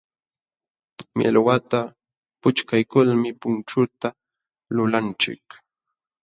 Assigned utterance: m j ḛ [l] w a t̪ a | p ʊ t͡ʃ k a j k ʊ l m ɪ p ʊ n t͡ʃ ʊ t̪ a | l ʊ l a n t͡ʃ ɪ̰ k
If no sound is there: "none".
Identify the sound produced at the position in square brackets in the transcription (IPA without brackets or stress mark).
l